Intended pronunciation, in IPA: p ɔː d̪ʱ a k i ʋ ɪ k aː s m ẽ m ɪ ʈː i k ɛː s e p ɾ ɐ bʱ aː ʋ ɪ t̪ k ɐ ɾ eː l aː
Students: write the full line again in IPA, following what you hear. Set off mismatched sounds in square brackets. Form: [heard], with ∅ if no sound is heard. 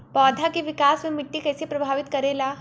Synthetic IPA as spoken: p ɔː d̪ʱ a k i ʋ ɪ k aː s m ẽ m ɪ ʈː i k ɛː s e p ɾ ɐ bʱ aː ʋ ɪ t̪ k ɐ ɾ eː l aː